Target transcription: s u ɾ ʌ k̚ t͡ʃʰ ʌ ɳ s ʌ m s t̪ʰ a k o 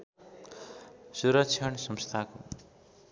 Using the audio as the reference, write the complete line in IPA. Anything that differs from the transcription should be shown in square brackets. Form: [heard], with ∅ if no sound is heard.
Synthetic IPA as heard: s u ɾ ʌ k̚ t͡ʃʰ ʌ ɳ s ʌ m s t̪ʰ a k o